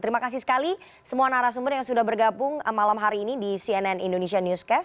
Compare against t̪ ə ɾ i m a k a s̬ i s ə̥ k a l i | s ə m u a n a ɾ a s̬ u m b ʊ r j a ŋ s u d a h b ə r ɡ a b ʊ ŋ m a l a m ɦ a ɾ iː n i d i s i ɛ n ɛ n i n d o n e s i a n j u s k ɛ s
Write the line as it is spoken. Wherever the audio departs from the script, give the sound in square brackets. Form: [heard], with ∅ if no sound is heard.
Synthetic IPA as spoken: t̪ ə ɾ i m a k a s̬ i s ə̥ k a l i | s ə m u a n a ɾ a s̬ u m b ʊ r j a ŋ s u d a h b ə r ɡ a b ʊ ŋ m a l a m ɦ a ɾ iː n i d i s i ɛ n ɛ n i n d o n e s i a n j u s k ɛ s

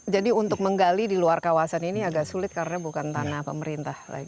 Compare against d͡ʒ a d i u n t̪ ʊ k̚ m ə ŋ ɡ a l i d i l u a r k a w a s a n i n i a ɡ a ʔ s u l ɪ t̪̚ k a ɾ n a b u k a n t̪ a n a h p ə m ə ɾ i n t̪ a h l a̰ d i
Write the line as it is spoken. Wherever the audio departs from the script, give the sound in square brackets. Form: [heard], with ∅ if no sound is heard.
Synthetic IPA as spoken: d͡ʒ a d i u n t̪ ʊ k̚ m ə ŋ ɡ a l i d i l u a r k a w a s a n i n i a ɡ a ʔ s u l ɪ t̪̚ k a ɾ n a b u k a n t̪ a n a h p ə m ə ɾ i n t̪ a h l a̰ [ɡ] i

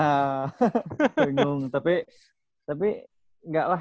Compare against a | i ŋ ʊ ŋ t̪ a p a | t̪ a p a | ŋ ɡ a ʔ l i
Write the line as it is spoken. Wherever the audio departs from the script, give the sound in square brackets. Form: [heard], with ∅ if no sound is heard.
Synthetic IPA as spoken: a | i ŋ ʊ ŋ t̪ a p [i] | t̪ a p [i] | ŋ ɡ a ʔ l [a]

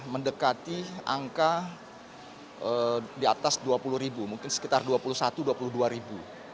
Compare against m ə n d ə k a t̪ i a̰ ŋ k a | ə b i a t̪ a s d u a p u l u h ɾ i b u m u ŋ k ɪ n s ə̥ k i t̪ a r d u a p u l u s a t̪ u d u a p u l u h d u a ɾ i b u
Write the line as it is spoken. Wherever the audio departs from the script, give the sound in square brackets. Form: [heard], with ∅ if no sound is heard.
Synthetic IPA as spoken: m ə n d ə k a t̪ i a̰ ŋ k a | ə [d] i a t̪ a s d u a p u l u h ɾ i b u m u ŋ k ɪ n s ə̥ k i t̪ a r d u a p u l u s a t̪ u d u a p u l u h d u a ɾ i b u

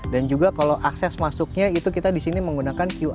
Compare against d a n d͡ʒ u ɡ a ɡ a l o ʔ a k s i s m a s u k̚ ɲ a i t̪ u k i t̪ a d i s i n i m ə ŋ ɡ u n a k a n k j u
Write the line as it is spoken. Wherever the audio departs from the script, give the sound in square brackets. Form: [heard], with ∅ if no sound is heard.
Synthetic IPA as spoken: d a n d͡ʒ u ɡ a [k] a l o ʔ a k s [ɛ] s m a s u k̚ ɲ a i t̪ u k i t̪ a d i s i n i m ə ŋ ɡ u n a k a n k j u

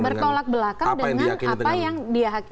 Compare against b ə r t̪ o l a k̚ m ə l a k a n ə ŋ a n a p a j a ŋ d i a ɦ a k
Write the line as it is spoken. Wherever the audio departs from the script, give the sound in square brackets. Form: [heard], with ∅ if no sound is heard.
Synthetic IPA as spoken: b ə r t̪ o l a k̚ [b] ə l a k a [d] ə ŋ a n a p a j a ŋ d i a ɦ a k

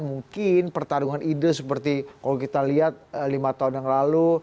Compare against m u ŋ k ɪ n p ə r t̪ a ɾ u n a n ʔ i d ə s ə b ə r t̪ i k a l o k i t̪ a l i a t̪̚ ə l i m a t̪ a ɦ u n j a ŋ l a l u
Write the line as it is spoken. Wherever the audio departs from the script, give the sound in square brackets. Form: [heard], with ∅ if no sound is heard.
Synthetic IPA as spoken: m u ŋ k ɪ n p ə r t̪ a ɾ u [ŋ] a n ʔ i d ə s ə [p] ə r t̪ i k a l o k i t̪ a l i a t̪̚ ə l i m a t̪ a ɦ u n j a ŋ l a l u

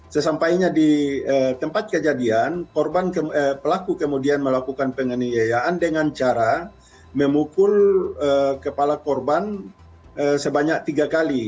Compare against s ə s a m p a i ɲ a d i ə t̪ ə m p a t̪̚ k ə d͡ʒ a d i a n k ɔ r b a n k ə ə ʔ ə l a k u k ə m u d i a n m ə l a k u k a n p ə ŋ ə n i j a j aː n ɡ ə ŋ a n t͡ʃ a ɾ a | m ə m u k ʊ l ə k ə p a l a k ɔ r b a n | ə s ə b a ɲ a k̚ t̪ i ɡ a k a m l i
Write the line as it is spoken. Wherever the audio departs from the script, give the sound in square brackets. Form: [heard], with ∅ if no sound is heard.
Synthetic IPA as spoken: s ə s a m p a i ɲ a d i ə t̪ ə m p a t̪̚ k ə d͡ʒ a d i a n k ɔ r b a n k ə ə [p] ə l a k u k ə m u d i a n m ə l a k u k a n p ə ŋ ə n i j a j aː n [d] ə ŋ a n t͡ʃ a ɾ a | m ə m u k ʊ l ə k ə p a l a k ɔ r b a n | ə s ə b a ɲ a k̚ t̪ i ɡ a k a [∅] l i

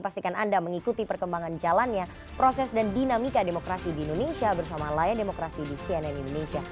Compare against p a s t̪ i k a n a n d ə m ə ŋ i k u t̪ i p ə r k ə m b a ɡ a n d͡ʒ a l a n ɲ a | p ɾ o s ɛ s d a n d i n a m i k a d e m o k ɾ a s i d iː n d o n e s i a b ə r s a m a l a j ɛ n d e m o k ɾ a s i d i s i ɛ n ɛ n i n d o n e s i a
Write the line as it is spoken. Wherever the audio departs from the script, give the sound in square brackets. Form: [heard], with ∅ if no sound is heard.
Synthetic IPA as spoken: p a s t̪ i k a n a n d [a] m ə ŋ i k u t̪ i p ə r k ə m b a [ŋ] a n d͡ʒ a l a n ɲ a | p ɾ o s ɛ s d a n d i n a m i k a d e m o k ɾ a s i d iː n d o n e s i a b ə r s a m a l a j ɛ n d e m o k ɾ a s i d i s i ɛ n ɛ n i n d o n e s i a

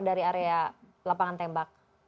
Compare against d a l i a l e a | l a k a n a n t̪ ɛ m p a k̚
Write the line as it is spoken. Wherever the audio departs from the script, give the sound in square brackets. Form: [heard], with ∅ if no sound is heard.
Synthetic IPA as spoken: d a [ɾ] i a [ɾ] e a | l a [p] a [ŋ] a n t̪ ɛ m [b] a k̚

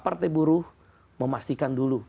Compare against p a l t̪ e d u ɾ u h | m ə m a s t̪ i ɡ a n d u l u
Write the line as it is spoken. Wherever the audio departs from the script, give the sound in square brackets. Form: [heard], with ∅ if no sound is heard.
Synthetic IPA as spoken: p a [r] t̪ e [b] u ɾ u h | m ə m a s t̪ i [k] a n d u l u

